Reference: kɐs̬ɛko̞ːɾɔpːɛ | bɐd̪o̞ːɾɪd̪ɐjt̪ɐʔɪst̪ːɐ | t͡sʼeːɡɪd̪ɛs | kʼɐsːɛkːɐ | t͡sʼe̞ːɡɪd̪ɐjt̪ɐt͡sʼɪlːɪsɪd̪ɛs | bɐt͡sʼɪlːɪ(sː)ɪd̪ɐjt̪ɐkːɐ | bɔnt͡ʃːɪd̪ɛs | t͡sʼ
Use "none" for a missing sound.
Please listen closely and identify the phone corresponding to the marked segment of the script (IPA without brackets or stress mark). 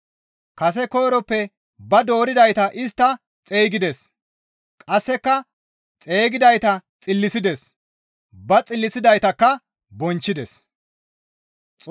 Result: s